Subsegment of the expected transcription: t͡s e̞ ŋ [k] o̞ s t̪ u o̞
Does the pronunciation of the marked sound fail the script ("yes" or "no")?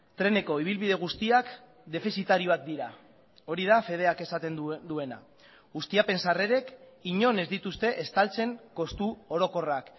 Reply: no